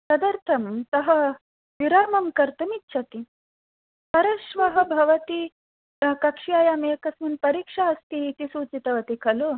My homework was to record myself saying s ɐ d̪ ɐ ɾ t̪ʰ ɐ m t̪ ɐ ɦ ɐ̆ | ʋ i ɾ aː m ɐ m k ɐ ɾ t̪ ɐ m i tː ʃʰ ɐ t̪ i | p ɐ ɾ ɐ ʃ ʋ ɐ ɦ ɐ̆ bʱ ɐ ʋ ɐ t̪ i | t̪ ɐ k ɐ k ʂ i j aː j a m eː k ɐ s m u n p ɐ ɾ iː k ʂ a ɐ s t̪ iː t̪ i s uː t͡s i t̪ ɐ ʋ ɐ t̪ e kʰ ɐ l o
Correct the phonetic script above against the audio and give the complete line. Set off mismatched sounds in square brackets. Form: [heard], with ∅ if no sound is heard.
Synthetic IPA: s ɐ d̪ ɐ ɾ t̪ʰ ɐ m t̪ ɐ ɦ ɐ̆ | ʋ i ɾ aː m ɐ m k ɐ ɾ t̪ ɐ m i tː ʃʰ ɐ t̪ i | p ɐ ɾ ɐ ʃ ʋ ɐ ɦ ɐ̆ bʱ ɐ ʋ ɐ t̪ i | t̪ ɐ k ɐ k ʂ i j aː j a m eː k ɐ s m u n p ɐ ɾ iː k ʂ a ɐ s t̪ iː t̪ i s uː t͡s i t̪ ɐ ʋ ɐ t̪ [i] kʰ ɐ l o